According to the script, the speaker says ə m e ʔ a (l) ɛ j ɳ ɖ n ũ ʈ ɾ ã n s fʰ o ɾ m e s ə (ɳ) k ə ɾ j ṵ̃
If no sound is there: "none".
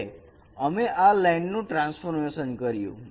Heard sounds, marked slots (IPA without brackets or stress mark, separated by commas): l, n